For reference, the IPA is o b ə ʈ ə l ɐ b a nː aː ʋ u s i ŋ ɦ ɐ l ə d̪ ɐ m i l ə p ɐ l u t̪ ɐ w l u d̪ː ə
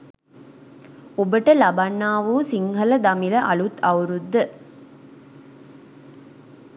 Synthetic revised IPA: o b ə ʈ ə l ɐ b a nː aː ʋ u s i ŋ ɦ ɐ l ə d̪ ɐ m i l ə ʔ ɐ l u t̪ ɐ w ɾ u d̪ː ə